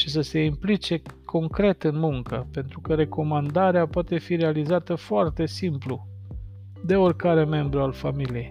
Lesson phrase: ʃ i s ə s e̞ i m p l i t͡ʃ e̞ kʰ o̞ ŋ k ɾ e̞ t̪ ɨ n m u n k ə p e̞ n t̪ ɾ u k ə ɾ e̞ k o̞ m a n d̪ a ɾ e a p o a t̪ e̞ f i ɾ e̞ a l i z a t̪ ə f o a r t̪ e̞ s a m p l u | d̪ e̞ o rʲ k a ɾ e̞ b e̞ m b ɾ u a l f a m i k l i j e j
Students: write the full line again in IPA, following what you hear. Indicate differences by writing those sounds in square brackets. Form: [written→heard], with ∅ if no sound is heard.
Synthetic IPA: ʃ i s ə s e̞ i m p l i t͡ʃ e̞ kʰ o̞ ŋ k ɾ e̞ t̪ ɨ n m u [n→ŋ] k ə p e̞ n t̪ ɾ u k ə ɾ e̞ k o̞ m a n d̪ a ɾ e a p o a t̪ e̞ f i ɾ e̞ a l i z a t̪ ə f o a r t̪ e̞ s [a→i] m p l u | d̪ e̞ o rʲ k a ɾ e̞ [b→m] e̞ m b ɾ u a l f a m i [k→∅] l i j e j